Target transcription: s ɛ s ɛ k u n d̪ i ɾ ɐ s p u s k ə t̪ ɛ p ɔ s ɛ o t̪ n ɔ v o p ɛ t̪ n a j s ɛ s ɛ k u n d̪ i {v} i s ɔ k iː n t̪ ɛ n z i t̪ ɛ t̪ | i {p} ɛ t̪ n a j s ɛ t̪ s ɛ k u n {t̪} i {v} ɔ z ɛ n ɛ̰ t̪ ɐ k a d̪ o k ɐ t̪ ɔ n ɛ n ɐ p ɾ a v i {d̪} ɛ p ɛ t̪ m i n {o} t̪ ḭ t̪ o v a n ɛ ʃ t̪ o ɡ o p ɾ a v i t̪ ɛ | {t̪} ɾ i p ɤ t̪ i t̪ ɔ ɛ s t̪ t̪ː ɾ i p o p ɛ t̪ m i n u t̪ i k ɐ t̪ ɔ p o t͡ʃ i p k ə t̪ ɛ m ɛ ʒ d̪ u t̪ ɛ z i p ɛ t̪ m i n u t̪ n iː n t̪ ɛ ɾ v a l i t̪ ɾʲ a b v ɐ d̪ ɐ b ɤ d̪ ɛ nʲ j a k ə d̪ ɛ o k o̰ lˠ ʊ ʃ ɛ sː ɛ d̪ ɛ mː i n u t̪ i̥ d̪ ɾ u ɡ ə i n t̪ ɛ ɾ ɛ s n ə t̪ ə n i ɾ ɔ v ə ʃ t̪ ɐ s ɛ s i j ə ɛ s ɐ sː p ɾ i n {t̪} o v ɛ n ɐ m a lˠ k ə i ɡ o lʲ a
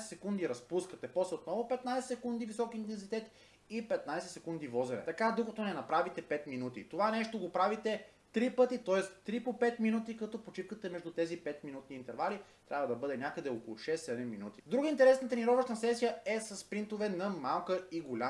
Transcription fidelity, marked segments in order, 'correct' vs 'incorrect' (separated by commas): correct, correct, incorrect, correct, incorrect, incorrect, correct, correct